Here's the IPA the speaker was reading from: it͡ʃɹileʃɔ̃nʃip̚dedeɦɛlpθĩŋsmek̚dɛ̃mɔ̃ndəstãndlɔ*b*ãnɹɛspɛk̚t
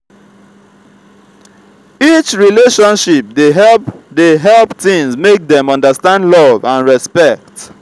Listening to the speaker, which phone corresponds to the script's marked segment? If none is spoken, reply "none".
v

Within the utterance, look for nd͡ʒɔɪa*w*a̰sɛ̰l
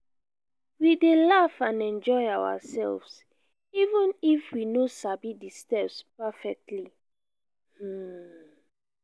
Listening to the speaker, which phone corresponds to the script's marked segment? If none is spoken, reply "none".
w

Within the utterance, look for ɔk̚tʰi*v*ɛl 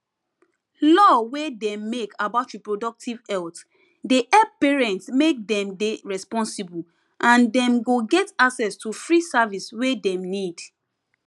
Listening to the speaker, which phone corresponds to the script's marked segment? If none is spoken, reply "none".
v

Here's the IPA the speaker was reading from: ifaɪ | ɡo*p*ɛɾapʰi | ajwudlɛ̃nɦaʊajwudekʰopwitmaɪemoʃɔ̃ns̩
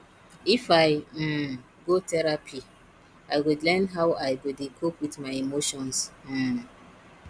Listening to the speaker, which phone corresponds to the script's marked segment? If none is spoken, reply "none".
t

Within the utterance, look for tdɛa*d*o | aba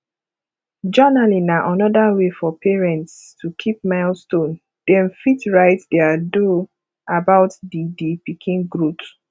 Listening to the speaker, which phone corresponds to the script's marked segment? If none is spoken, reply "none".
d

